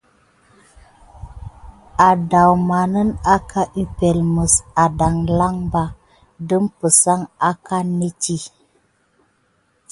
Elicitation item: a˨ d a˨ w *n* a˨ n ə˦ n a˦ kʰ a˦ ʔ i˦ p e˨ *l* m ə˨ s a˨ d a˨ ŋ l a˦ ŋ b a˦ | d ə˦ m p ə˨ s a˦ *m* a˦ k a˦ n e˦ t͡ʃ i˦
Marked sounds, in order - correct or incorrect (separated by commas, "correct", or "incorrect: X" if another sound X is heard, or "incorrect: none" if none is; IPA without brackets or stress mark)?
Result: incorrect: m, correct, incorrect: ŋ